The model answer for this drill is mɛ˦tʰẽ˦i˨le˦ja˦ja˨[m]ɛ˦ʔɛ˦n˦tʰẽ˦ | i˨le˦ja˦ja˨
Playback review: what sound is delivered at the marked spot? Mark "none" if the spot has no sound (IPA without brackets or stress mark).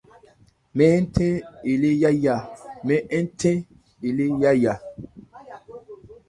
m